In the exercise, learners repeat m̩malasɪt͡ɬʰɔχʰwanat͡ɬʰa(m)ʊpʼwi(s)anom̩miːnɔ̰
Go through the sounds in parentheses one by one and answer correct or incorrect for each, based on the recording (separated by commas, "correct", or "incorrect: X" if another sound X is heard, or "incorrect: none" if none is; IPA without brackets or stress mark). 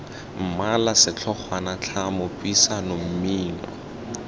correct, correct